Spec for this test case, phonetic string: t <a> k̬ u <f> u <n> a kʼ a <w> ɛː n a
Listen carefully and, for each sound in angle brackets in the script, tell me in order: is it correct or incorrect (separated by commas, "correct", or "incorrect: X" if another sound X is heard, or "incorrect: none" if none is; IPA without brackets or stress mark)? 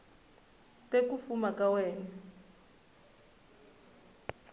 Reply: incorrect: e, correct, incorrect: m, correct